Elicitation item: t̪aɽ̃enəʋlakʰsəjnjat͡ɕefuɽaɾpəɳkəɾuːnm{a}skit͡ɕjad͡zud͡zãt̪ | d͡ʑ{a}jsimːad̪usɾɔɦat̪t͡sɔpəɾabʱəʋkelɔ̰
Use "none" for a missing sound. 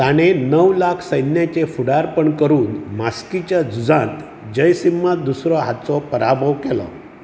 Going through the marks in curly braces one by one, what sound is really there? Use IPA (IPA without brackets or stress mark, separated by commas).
a, ə